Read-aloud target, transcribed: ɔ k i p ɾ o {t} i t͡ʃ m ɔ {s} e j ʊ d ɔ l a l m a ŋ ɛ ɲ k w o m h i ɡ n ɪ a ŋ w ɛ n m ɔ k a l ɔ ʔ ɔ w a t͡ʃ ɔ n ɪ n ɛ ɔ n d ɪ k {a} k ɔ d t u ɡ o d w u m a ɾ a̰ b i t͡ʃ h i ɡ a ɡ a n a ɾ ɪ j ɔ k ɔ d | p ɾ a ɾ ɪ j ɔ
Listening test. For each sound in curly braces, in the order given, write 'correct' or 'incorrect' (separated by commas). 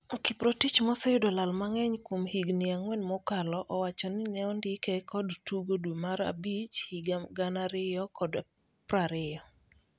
correct, correct, incorrect